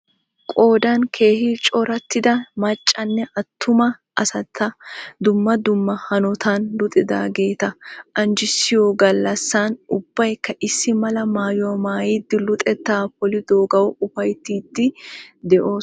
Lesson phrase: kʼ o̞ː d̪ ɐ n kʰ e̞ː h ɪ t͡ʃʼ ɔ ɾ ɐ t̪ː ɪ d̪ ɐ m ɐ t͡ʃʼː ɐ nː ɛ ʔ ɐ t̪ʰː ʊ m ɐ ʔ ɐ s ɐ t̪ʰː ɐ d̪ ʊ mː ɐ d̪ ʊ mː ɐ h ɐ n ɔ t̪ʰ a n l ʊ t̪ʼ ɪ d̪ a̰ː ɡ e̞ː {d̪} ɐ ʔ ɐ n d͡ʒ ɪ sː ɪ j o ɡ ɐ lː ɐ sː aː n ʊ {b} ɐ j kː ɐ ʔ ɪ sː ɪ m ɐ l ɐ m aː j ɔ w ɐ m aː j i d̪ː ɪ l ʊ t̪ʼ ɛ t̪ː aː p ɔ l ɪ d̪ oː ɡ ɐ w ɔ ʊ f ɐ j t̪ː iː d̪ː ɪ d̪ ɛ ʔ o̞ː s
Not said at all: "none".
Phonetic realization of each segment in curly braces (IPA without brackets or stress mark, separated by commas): t̪, bː